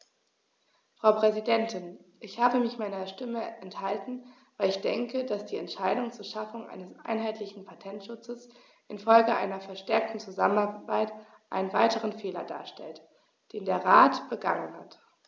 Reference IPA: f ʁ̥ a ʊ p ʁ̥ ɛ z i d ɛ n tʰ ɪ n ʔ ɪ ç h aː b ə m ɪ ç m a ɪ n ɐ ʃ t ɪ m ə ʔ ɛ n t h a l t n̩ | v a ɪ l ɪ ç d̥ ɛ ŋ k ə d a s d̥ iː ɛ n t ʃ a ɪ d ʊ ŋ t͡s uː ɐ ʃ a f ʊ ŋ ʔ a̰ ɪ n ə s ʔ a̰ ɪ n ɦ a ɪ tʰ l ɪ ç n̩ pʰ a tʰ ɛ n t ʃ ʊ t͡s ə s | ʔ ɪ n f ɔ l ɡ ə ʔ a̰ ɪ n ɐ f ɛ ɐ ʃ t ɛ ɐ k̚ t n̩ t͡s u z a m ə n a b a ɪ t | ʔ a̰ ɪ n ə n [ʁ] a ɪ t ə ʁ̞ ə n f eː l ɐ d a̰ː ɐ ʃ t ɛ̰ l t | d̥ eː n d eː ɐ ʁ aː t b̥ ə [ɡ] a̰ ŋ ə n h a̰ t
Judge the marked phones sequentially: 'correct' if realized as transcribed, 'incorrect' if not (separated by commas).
incorrect, correct